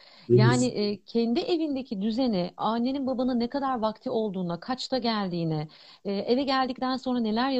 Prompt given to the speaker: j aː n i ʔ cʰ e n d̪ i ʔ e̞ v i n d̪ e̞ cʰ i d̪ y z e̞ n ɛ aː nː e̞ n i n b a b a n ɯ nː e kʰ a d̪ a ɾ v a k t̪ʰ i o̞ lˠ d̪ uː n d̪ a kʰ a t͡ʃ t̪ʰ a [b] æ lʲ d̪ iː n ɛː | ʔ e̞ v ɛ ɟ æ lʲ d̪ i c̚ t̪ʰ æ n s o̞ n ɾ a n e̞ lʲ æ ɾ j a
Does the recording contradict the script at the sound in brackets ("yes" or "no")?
yes